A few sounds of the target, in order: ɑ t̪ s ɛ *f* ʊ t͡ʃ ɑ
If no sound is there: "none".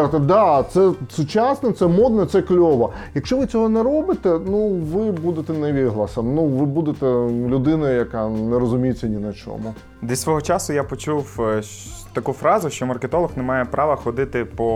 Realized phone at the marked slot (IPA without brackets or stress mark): s